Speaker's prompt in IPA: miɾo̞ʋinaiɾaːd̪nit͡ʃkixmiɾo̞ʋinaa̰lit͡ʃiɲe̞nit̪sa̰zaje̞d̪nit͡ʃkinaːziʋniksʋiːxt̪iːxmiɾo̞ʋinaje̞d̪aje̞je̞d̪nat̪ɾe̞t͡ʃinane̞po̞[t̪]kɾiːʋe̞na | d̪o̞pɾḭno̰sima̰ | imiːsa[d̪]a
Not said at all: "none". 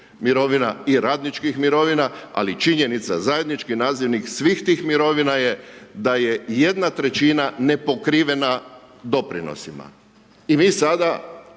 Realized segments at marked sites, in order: none, d̪

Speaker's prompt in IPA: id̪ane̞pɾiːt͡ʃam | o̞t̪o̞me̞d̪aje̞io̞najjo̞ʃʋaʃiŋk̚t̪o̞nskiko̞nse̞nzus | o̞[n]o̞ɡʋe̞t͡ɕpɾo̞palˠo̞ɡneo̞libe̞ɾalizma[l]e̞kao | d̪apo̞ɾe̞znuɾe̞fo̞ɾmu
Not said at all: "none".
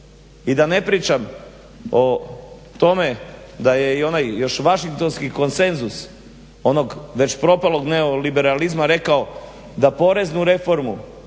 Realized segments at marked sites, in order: n, ɾ

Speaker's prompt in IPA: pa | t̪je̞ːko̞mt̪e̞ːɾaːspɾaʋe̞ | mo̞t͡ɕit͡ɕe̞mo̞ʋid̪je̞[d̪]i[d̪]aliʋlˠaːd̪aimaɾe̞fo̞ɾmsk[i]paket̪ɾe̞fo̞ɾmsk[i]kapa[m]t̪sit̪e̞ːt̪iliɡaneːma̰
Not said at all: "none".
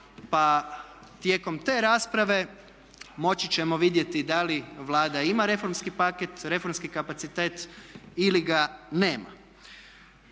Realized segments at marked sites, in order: t̪, d̪, i, i, none

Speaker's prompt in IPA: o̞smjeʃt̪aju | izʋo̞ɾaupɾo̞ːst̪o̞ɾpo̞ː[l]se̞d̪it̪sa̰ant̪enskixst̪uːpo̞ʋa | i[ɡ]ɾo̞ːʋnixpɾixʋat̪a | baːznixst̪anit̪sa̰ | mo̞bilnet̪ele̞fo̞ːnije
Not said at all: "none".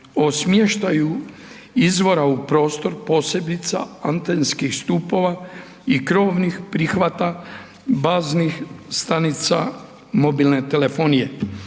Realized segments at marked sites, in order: none, k

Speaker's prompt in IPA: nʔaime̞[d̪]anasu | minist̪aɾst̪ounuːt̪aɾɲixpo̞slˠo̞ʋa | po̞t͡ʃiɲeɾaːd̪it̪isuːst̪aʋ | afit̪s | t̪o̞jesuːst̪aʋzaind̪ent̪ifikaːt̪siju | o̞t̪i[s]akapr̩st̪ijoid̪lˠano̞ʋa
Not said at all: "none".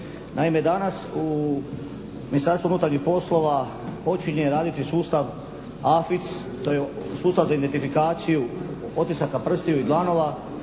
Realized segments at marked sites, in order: d̪, s

